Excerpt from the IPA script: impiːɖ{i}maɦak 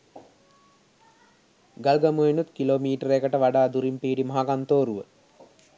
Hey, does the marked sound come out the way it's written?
yes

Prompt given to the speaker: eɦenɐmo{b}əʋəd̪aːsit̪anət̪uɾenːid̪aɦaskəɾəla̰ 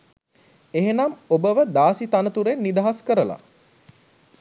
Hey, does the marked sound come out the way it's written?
yes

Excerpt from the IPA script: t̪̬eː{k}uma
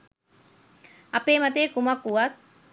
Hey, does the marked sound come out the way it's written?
yes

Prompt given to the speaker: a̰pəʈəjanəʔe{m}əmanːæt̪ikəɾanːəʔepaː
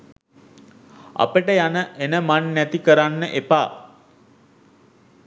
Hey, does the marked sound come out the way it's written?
no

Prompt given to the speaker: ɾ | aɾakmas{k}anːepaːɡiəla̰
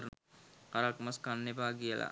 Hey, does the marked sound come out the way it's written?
yes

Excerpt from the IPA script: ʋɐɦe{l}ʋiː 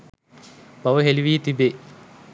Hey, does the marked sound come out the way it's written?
yes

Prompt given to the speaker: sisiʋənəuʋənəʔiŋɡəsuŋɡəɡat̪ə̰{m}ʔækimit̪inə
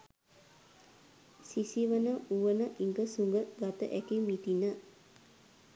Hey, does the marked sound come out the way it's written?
no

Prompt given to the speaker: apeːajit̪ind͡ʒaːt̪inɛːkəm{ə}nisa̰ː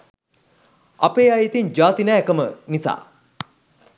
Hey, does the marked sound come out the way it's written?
yes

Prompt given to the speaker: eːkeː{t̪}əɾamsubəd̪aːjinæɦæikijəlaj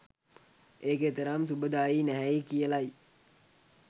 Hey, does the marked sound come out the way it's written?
yes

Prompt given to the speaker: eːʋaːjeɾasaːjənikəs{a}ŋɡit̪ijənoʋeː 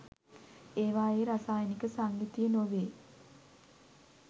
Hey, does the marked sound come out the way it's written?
yes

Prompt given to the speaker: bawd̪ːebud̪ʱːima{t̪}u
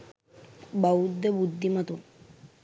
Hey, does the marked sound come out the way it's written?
yes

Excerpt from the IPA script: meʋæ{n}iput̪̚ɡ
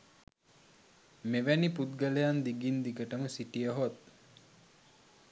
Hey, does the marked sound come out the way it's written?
yes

